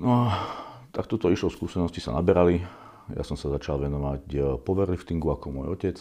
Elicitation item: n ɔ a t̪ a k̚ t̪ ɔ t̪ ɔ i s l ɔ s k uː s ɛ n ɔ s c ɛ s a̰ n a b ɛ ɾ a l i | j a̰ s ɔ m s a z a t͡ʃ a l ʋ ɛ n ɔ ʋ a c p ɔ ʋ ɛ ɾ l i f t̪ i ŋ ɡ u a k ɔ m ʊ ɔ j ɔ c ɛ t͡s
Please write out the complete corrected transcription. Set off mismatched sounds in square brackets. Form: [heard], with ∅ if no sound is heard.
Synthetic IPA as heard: n ɔ a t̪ a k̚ t̪ ɔ t̪ ɔ i [ʃ] l ɔ s k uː s ɛ n ɔ s c [i] s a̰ n a b ɛ ɾ a l i | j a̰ s ɔ m s a z a t͡ʃ a l ʋ ɛ n ɔ ʋ a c p ɔ ʋ ɛ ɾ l i f t̪ i ŋ ɡ u a k ɔ m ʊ ɔ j ɔ c ɛ t͡s